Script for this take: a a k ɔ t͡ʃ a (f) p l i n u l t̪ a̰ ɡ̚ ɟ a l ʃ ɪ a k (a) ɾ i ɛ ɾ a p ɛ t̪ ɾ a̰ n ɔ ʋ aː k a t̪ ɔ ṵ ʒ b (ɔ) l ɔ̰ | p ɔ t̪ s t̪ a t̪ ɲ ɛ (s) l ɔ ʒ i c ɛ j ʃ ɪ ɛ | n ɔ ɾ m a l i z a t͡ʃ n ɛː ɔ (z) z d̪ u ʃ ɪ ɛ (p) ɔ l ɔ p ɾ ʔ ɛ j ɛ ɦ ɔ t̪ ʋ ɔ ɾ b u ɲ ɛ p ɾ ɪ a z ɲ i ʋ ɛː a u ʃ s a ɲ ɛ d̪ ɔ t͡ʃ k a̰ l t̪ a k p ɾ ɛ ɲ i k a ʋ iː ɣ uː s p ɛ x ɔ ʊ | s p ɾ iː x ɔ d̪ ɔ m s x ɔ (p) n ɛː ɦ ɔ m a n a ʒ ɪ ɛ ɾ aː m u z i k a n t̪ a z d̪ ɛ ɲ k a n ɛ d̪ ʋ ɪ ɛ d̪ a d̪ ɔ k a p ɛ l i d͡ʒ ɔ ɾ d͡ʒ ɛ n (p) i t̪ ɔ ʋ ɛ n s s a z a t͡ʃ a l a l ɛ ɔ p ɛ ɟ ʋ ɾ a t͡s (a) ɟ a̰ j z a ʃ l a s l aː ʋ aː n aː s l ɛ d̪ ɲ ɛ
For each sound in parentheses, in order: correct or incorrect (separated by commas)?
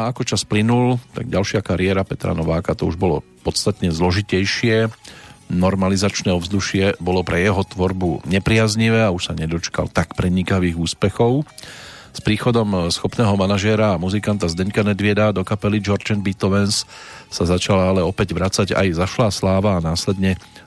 incorrect, correct, correct, incorrect, incorrect, incorrect, correct, incorrect, correct